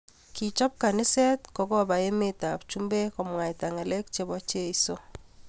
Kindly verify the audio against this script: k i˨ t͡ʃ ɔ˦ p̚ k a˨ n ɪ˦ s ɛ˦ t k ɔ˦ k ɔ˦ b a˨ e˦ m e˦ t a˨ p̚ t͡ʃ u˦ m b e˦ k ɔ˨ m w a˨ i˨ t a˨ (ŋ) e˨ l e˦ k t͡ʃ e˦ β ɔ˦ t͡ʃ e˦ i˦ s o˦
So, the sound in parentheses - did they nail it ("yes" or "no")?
yes